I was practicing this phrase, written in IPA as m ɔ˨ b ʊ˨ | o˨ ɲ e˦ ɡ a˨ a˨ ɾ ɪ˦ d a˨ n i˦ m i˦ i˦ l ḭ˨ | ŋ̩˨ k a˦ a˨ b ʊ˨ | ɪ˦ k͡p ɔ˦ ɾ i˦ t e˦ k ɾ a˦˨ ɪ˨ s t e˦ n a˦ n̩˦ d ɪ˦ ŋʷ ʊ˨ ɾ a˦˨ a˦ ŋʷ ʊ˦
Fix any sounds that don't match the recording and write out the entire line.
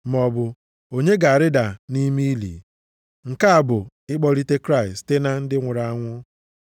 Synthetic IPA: m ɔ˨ b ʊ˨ | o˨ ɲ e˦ ɡ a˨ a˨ ɾ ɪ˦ d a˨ n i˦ m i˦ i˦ l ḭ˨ | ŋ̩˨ k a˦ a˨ b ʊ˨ | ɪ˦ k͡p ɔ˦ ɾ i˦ t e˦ k ɾ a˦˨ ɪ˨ s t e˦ n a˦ n̩˦ d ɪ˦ ŋʷ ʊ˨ ɾ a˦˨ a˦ ŋʷ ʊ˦